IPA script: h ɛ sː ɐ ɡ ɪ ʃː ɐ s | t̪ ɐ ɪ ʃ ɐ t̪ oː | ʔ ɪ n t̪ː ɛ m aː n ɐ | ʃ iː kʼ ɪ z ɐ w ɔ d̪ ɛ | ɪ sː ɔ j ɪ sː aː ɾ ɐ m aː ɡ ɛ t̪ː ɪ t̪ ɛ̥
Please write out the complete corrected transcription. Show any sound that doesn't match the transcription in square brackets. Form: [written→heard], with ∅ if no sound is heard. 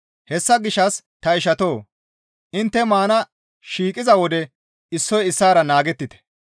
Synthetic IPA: h ɛ sː ɐ ɡ ɪ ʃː ɐ s | t̪ ɐ ɪ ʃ ɐ t̪ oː | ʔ ɪ n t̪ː ɛ m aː n ɐ | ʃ iː kʼ ɪ z ɐ w ɔ d̪ ɛ | ɪ sː ɔ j ɪ sː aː ɾ ɐ [m→n] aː ɡ ɛ t̪ː ɪ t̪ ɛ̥